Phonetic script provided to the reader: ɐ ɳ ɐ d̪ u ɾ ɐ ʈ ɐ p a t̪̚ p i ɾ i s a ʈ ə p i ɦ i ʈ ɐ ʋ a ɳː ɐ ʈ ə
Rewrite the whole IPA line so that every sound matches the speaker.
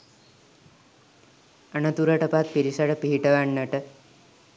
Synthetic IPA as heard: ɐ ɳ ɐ t̪ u ɾ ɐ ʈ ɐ p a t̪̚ p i ɾ i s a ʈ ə p i ɦ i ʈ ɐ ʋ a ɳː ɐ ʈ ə